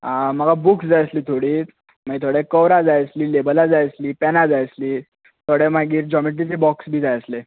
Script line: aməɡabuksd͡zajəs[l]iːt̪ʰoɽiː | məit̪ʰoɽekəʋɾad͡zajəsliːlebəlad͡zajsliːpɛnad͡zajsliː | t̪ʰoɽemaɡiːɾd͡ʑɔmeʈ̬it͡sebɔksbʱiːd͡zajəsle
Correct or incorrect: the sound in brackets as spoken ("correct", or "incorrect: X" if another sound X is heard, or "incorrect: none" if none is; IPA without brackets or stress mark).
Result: correct